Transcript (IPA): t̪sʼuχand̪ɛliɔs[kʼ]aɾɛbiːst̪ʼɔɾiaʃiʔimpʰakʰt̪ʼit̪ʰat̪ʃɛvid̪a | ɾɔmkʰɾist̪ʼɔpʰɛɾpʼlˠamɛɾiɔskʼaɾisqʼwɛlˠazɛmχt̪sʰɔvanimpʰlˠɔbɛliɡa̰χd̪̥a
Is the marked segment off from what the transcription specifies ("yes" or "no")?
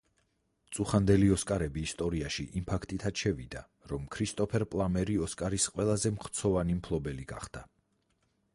no